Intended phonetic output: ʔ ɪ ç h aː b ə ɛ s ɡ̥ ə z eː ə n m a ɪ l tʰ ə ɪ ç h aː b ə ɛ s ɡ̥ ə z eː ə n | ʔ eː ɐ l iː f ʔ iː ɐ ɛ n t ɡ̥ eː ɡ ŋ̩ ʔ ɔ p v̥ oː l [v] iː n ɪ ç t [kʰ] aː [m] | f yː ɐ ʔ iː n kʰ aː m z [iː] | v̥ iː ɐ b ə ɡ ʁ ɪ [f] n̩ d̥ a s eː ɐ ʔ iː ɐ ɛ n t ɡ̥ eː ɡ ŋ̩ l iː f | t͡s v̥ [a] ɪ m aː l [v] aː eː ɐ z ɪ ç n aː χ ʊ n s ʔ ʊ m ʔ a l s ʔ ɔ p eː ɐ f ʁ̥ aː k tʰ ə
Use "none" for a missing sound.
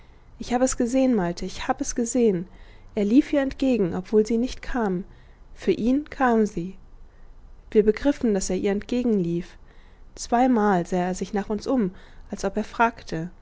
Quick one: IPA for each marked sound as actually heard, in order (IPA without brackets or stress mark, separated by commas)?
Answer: z, kʰ, m, iː, f, a, z